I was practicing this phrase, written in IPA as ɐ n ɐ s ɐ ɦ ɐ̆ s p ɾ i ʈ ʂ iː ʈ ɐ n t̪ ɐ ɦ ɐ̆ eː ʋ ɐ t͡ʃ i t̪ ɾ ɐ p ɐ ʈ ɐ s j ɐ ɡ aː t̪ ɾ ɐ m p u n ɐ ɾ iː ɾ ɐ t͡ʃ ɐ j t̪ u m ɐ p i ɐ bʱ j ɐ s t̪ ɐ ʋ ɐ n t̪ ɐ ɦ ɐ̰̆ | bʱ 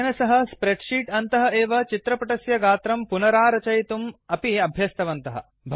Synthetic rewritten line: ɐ n ɐ s ɐ ɦ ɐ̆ s p ɾ e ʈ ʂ iː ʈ ɐ n t̪ ɐ ɦ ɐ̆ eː ʋ ɐ t͡ʃ i t̪ ɾ ɐ p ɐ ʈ ɐ s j ɐ ɡ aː t̪ ɾ ɐ m p u n ɐ ɾ aː ɾ ɐ t͡ʃ ɐ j t̪ u m ɐ p i ɐ bʱ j ɐ s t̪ ɐ ʋ ɐ n t̪ ɐ ɦ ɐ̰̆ | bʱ